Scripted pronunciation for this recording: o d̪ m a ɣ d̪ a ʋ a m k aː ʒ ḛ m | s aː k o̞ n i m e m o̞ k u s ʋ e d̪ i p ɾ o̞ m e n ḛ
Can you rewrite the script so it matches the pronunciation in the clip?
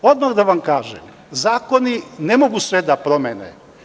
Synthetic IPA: o d̪ m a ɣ d̪ a ʋ a m k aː ʒ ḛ m | z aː k o̞ n i n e m o̞ ɡ u s ʋ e d̪ a p ɾ o̞ m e n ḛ